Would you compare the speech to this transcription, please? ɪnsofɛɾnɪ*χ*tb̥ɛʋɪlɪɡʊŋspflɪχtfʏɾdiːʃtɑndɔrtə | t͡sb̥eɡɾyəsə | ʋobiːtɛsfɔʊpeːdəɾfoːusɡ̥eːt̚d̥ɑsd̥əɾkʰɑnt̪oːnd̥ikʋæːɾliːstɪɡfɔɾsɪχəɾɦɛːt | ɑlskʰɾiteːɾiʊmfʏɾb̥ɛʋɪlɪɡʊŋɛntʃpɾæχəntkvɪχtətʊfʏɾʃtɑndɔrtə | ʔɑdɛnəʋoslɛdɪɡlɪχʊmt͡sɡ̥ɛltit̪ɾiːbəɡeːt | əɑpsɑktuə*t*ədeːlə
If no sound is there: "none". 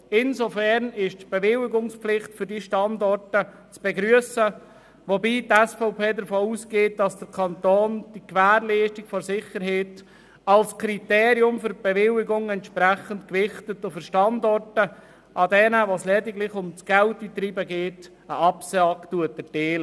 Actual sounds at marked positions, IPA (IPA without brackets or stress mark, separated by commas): ʃ, t